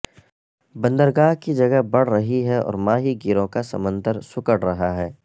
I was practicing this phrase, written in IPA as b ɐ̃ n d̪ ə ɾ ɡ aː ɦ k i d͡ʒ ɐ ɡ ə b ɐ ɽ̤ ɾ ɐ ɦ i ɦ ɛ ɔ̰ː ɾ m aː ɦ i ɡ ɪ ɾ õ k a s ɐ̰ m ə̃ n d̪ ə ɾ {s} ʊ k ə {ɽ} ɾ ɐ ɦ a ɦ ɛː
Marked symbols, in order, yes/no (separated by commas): yes, yes